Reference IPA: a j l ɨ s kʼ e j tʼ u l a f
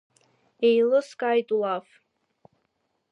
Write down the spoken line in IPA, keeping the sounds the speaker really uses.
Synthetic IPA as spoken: e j l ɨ s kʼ a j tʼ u l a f